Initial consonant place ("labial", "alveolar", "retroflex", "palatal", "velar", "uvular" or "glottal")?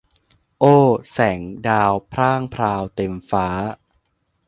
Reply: glottal